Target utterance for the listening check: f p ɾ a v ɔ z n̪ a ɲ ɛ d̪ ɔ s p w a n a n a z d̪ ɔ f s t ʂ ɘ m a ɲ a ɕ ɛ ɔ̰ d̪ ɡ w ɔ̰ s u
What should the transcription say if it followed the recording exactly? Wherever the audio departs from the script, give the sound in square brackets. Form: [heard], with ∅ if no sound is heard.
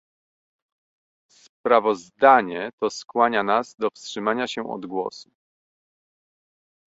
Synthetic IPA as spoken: [s] p ɾ a v ɔ z [d̪] a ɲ ɛ [t̪] ɔ s [k] w a [ɲ] a n a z d̪ ɔ f s t ʂ ɘ m a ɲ a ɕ ɛ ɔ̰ d̪ ɡ w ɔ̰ s u